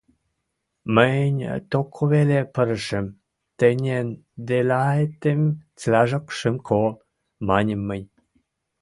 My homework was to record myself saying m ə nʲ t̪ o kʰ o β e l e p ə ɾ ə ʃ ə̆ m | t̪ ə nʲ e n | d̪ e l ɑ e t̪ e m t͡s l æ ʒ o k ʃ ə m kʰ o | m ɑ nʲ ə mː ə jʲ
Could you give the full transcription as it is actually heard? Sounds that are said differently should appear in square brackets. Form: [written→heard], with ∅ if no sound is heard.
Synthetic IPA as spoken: m ə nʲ t̪ o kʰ o β e l e p ə ɾ ə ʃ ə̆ m | t̪ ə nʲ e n | d̪ e l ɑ e t̪ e m t͡s l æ ʒ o k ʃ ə m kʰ o | m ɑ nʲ ə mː ə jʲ